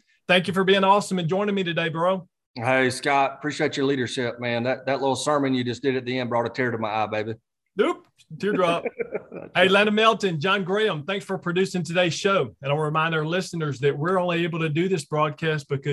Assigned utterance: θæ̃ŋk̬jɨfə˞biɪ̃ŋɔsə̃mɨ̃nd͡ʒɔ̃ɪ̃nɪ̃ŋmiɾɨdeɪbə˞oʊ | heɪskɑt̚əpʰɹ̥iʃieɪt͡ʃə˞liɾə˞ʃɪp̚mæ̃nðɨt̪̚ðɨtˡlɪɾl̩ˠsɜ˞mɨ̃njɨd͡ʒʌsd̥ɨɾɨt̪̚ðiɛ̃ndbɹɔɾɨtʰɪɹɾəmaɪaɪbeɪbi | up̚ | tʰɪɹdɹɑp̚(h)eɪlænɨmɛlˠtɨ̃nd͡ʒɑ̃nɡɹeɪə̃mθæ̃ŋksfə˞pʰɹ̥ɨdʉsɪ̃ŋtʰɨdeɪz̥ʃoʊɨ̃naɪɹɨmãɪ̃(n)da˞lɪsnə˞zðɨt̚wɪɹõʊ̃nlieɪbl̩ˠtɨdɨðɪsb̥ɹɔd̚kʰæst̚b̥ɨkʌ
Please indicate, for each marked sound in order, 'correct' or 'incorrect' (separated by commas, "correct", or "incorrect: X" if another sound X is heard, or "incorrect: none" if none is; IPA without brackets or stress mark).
correct, correct